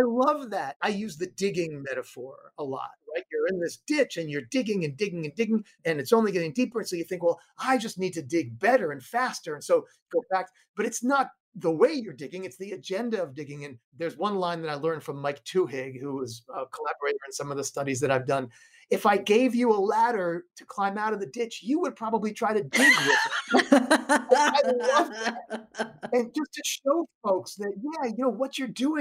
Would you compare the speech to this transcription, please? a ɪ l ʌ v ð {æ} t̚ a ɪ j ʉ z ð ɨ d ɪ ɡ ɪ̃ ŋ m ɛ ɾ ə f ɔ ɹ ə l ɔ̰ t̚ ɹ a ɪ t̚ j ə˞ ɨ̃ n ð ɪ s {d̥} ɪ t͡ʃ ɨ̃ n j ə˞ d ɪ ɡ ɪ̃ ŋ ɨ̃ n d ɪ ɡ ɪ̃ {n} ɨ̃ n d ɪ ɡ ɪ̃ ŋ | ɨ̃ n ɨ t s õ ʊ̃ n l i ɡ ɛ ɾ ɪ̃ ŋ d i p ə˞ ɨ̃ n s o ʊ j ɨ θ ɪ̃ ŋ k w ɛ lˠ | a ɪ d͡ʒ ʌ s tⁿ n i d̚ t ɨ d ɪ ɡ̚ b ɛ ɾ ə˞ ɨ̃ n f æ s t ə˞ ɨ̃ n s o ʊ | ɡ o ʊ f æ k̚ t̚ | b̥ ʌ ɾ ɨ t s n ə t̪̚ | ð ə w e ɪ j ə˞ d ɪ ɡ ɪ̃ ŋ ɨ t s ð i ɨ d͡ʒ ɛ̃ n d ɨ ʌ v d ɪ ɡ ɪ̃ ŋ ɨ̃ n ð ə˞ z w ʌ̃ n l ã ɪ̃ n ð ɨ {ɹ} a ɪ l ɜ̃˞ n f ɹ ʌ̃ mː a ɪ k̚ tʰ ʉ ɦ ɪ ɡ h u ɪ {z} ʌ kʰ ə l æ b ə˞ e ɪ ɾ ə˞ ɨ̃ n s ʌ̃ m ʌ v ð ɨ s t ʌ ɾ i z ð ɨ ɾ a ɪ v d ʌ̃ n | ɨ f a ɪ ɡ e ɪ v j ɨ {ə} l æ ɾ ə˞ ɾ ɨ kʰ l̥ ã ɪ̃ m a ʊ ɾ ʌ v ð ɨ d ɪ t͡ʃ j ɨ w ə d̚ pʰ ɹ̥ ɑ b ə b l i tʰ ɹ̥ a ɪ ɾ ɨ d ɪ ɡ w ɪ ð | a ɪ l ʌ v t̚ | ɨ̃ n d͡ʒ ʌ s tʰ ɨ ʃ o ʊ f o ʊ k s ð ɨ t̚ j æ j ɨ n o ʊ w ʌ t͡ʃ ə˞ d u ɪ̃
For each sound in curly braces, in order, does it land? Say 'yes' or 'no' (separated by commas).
yes, yes, no, no, yes, yes